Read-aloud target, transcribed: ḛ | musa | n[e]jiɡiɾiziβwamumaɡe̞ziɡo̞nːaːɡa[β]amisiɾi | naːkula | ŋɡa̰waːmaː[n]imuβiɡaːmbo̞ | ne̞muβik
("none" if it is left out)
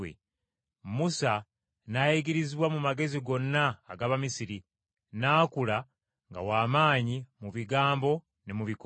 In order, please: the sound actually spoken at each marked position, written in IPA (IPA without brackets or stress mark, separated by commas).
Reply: a, β, ɲ